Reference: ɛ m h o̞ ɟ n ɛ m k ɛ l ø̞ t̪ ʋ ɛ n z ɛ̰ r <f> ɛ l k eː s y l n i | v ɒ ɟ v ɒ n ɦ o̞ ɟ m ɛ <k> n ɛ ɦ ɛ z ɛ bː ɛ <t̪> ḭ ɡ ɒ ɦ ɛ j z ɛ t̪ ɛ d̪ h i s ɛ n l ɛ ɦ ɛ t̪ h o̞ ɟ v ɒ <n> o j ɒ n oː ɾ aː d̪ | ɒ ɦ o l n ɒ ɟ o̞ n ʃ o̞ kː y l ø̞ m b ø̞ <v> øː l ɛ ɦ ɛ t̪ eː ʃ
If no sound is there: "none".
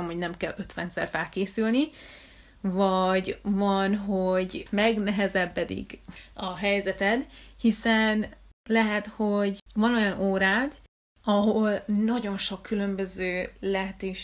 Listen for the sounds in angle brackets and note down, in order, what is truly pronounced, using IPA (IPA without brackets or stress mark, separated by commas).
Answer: f, ɡ, d̪, n, z